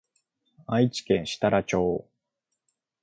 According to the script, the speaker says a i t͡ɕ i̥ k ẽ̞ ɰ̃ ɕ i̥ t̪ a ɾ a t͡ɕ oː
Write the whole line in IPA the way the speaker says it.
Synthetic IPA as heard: a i t͡ɕ i̥ k ẽ̞ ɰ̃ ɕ i̥ t̪ a ɾ a t͡ɕ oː